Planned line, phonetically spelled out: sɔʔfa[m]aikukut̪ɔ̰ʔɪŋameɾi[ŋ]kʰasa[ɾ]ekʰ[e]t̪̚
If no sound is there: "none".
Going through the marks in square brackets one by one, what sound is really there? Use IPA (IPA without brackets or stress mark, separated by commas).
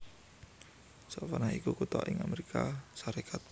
n, none, ɾ, a